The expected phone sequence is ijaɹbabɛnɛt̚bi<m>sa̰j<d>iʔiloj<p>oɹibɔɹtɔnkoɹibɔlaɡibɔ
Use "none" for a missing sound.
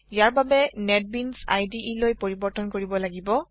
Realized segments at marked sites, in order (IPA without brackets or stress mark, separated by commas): n, d, p